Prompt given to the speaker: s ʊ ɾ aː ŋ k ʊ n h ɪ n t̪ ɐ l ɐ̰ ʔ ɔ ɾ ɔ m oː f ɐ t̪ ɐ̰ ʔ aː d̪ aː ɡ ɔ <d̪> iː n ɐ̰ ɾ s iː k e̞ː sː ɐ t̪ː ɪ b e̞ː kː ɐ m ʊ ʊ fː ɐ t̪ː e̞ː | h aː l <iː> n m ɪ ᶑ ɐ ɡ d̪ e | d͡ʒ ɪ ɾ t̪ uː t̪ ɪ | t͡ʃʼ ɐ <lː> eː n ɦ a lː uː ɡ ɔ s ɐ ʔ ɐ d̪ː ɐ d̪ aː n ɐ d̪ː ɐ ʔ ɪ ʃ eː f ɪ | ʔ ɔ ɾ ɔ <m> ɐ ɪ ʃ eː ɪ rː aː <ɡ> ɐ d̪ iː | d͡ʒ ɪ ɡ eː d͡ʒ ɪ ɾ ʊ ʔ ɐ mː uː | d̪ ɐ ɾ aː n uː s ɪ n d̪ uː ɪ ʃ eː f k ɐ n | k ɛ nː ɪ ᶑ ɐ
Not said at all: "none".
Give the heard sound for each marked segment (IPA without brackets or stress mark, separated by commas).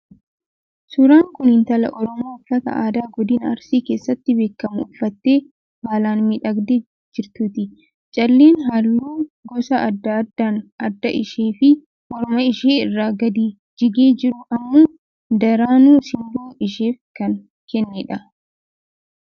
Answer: d̪, aː, lː, m, ɡ